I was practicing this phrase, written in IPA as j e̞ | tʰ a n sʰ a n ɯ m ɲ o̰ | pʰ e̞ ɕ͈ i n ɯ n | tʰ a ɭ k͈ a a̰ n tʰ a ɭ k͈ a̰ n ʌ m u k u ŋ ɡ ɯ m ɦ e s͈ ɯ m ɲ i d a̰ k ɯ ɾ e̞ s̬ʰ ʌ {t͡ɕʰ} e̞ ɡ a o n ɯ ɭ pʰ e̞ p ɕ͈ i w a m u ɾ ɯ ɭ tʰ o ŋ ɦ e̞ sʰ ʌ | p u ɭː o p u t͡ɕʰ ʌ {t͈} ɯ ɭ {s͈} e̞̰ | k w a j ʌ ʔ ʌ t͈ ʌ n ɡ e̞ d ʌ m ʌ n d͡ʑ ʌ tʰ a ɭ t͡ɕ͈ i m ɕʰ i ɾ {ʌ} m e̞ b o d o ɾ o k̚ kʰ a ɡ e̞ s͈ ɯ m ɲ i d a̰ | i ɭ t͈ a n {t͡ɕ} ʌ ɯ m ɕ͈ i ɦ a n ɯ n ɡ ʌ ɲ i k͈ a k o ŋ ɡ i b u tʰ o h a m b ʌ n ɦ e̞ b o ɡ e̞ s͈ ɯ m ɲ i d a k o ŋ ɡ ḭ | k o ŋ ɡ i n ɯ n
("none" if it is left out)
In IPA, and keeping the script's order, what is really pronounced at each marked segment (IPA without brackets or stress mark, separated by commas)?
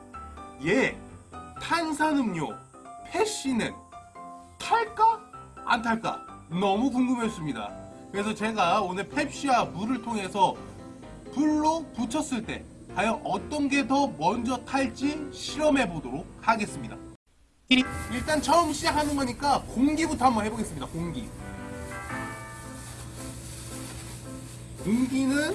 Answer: t͡ɕ, s͈, t͈, ʌ, t͡ɕʰ